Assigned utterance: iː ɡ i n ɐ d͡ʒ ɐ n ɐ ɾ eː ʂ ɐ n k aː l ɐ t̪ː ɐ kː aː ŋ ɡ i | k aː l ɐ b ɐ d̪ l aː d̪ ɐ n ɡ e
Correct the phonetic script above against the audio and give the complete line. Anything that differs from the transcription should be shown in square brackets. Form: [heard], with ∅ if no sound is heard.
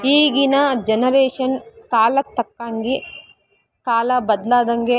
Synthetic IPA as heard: iː ɡ i n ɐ d͡ʒ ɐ n ɐ ɾ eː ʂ ɐ n k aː l ɐ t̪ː ɐ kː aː ŋ ɡ i | k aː l ɐ b ɐ d̪ l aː d̪ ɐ [ŋ] ɡ e